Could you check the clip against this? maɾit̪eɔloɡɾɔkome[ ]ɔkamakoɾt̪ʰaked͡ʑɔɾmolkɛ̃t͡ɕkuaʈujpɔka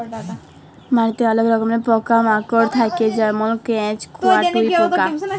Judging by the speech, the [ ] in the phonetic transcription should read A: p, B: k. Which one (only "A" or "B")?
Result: A